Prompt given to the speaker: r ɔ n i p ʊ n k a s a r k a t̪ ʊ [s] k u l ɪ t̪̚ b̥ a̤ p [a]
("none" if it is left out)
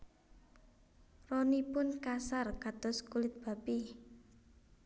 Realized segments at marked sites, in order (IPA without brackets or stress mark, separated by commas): s, i